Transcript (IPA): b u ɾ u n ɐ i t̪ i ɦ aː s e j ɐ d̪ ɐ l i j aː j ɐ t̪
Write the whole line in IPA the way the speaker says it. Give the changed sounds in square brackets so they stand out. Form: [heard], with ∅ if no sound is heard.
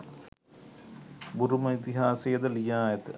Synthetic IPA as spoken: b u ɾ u [m] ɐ i t̪ i ɦ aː s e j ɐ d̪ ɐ l i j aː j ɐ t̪